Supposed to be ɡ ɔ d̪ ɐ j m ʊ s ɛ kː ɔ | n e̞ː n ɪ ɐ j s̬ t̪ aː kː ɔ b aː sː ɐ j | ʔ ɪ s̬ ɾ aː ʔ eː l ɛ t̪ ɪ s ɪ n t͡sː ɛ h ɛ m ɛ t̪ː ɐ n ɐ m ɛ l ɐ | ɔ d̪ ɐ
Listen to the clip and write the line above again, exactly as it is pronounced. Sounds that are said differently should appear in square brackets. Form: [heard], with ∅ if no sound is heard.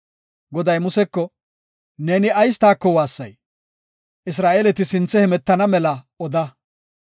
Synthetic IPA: ɡ ɔ d̪ ɐ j m ʊ s ɛ kː ɔ | n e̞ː n ɪ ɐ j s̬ t̪ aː kː ɔ [w] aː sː ɐ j | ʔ ɪ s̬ ɾ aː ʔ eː l ɛ t̪ ɪ s ɪ n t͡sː ɛ h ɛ m ɛ t̪ː ɐ n ɐ m ɛ l ɐ | ɔ d̪ ɐ